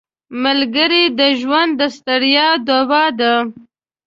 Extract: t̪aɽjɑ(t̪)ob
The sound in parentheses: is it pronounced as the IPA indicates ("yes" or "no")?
no